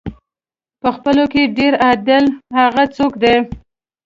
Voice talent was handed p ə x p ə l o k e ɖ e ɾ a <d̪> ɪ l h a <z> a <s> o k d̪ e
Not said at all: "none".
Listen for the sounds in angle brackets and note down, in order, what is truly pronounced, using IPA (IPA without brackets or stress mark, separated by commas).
d̪, ɣ, t͡s